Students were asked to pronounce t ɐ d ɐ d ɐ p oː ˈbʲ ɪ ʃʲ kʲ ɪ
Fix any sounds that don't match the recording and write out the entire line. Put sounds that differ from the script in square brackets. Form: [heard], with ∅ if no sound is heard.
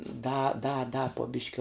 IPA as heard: [d] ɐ d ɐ d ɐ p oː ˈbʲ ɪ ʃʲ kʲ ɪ